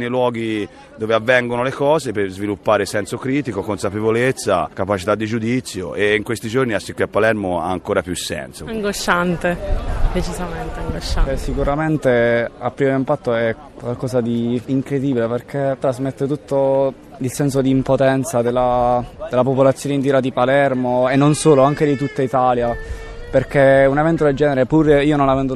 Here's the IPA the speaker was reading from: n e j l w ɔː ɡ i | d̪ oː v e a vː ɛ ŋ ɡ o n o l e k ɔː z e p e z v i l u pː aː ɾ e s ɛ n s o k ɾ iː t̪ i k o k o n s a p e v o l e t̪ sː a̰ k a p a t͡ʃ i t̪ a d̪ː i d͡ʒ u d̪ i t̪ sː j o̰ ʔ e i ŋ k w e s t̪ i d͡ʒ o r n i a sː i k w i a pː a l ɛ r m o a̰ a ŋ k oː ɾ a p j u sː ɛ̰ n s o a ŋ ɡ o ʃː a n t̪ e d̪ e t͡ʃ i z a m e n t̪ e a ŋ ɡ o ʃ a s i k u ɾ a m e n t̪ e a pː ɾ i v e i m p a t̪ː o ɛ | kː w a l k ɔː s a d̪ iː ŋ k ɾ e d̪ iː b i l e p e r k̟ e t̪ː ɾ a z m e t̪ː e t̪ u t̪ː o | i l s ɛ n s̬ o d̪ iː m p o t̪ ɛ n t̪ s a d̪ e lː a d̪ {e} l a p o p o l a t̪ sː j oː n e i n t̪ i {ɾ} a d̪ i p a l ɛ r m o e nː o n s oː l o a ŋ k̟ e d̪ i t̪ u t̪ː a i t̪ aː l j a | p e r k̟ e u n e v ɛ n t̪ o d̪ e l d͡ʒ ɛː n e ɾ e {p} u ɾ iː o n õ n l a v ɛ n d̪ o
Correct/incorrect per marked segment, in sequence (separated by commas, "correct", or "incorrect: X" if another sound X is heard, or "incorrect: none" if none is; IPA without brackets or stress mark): correct, correct, correct